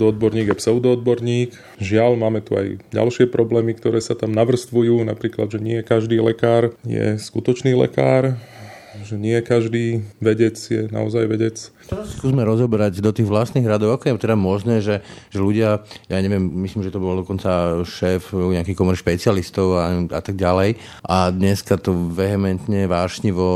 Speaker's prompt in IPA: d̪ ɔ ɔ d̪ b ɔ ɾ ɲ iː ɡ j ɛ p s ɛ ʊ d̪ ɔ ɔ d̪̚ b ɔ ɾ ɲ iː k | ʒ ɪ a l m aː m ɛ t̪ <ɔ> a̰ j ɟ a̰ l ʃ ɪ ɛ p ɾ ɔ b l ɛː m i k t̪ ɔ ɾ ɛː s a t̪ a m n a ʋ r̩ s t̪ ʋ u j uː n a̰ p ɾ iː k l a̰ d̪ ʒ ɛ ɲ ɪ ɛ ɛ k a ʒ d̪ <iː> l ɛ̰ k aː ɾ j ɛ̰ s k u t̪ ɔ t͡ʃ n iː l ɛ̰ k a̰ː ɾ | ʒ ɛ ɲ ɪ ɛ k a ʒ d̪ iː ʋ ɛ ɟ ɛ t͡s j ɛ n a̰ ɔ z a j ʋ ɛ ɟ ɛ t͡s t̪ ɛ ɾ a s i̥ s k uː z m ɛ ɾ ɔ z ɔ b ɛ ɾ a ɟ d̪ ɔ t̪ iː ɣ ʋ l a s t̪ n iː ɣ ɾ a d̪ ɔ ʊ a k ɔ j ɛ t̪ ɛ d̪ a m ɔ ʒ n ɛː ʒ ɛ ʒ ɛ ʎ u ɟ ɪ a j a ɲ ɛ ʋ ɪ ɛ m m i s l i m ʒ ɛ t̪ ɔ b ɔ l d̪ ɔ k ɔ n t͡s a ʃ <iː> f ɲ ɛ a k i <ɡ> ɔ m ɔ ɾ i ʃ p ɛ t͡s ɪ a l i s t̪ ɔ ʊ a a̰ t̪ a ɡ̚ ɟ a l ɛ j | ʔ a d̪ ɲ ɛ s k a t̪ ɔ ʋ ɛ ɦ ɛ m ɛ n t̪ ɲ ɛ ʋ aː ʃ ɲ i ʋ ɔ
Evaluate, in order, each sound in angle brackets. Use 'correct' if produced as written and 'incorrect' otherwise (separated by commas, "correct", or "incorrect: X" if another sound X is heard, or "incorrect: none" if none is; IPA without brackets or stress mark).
incorrect: u, correct, incorrect: ɛː, incorrect: k